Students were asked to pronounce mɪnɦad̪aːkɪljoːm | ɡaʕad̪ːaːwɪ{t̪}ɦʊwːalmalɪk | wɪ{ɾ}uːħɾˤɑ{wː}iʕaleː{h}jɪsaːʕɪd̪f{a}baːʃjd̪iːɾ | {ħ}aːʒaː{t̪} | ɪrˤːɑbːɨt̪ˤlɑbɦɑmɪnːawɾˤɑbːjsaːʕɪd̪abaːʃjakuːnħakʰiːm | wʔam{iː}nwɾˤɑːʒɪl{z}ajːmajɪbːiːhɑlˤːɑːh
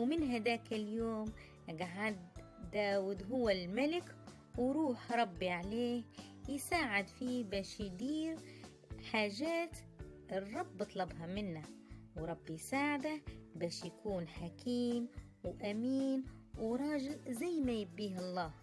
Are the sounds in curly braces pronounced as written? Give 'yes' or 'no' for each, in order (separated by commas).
no, yes, no, yes, no, yes, yes, yes, yes